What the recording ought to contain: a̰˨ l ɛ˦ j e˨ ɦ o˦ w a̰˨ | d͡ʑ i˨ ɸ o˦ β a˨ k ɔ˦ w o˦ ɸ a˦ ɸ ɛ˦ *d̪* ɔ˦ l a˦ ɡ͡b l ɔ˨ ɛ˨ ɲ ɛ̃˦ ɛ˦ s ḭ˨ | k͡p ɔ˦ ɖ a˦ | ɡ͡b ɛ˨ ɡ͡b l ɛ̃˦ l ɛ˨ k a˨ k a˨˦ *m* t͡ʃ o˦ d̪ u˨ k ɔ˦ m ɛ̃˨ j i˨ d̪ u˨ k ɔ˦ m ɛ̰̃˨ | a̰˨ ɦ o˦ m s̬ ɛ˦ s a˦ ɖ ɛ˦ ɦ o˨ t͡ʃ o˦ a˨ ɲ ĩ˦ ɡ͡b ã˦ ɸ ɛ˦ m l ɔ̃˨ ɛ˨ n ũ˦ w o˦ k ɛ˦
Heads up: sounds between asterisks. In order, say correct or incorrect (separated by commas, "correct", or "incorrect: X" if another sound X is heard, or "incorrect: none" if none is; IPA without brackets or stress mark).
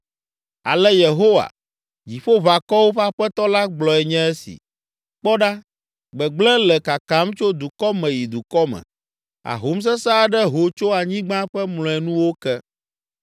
incorrect: t̪, correct